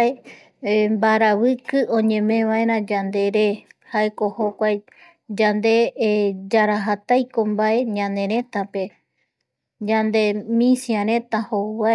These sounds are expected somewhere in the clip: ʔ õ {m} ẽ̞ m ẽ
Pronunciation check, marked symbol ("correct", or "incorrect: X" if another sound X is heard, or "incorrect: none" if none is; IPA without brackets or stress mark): incorrect: ɲ